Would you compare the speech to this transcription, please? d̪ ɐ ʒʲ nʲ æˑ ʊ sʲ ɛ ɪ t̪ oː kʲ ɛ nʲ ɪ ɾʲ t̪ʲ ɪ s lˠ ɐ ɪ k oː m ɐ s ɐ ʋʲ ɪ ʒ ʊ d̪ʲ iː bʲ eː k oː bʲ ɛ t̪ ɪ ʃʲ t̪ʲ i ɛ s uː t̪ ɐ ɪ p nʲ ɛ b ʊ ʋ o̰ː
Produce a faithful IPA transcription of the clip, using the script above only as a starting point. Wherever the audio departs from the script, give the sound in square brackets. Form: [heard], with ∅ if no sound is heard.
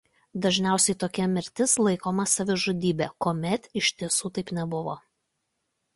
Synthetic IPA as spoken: d̪ ɐ ʒʲ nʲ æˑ ʊ sʲ ɛ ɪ t̪ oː kʲ ɛ [mʲ] ɪ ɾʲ t̪ʲ ɪ s lˠ ɐ ɪ k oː m ɐ s ɐ ʋʲ ɪ ʒ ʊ d̪ʲ iː bʲ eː k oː [mʲ] ɛ t̪ ɪ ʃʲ t̪ʲ i ɛ s uː t̪ ɐ ɪ p nʲ ɛ b ʊ ʋ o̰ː